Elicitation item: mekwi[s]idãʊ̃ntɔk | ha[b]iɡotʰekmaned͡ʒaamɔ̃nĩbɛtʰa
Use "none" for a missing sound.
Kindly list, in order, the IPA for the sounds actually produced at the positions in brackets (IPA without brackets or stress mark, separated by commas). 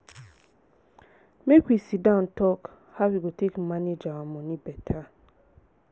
s, w